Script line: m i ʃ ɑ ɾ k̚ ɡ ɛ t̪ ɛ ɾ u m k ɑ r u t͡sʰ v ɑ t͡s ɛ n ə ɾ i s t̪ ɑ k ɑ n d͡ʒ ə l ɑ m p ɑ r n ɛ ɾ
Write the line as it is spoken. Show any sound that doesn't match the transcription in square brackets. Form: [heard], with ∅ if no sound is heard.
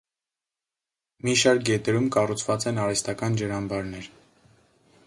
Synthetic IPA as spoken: m i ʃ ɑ ɾ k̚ ɡ ɛ t̪ ɛ ɾ u m k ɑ r u t͡sʰ v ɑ t͡s ɛ n [ɑ] ɾ [ɛ] s t̪ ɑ k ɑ n d͡ʒ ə [ɾ] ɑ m [b] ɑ [ɾ] n ɛ ɾ